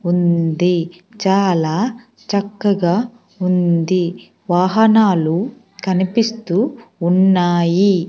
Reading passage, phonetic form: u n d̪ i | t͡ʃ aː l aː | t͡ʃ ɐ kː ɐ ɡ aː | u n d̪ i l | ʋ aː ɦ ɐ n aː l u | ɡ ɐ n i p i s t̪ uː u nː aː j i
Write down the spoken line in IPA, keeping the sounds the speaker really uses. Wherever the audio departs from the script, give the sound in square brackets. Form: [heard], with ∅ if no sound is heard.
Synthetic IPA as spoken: u n d̪ i | t͡ʃ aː l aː | t͡ʃ ɐ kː ɐ ɡ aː | u n d̪ i [∅] | ʋ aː ɦ ɐ n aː l u | [k] ɐ n i p i s t̪ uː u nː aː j i